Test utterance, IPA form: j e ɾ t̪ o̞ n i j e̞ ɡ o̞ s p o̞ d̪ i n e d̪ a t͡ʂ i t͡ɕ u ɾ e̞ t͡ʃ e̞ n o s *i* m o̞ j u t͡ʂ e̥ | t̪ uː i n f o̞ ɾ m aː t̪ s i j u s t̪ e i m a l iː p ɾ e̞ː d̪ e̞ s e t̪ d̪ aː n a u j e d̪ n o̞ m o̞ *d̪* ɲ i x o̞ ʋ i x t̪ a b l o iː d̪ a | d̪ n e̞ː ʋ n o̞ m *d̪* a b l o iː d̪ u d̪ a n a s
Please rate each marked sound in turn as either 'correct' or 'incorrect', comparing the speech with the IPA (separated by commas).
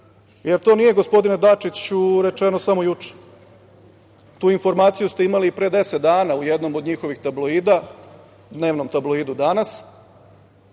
incorrect, correct, incorrect